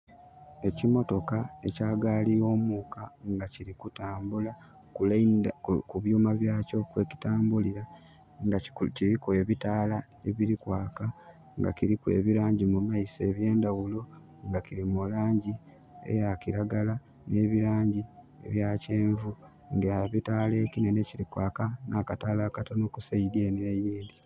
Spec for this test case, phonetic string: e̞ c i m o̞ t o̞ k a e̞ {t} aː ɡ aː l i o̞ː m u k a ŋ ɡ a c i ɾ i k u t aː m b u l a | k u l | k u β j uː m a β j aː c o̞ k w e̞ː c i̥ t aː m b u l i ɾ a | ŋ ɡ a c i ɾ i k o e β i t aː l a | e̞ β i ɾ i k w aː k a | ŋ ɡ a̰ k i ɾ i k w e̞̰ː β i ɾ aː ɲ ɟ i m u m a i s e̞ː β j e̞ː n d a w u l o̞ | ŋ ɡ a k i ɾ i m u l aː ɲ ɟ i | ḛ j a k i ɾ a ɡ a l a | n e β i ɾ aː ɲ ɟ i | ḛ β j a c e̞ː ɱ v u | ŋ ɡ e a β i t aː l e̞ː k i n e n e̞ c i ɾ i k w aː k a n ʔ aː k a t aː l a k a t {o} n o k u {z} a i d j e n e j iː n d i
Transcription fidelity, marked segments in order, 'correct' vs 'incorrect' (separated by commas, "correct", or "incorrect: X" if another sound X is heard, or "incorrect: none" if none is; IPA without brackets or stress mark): incorrect: c, correct, incorrect: s